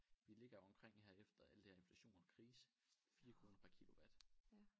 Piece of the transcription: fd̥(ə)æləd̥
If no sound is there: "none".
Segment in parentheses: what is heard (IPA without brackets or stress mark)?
ɐ